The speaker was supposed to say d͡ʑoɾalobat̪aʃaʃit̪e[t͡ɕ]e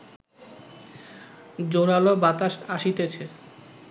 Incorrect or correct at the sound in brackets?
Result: incorrect: t͡ɕʰ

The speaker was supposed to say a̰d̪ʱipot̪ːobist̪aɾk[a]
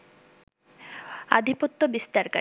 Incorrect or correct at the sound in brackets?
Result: correct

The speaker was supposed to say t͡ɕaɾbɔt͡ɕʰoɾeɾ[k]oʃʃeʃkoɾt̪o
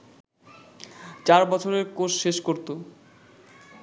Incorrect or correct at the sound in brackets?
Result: correct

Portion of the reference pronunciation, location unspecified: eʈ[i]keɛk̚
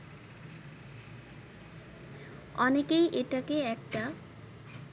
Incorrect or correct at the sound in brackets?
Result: incorrect: a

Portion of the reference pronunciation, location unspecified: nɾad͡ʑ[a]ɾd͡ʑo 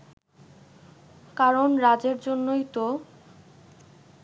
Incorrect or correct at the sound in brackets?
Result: incorrect: e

